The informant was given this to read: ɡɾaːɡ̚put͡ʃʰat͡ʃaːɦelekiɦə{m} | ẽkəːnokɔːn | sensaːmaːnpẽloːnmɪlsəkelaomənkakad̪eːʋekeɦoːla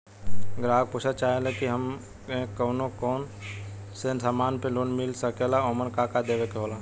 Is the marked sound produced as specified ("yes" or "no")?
yes